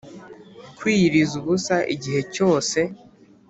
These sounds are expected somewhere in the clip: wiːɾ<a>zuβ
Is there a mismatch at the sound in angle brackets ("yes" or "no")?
yes